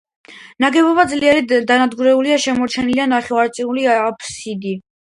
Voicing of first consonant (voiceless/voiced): voiced